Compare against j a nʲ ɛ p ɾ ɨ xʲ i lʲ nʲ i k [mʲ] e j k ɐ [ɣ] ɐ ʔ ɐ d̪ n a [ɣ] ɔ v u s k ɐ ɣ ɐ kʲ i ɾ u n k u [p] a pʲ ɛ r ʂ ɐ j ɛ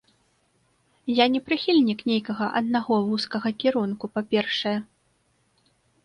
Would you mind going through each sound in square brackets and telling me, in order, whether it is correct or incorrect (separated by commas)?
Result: incorrect, correct, correct, correct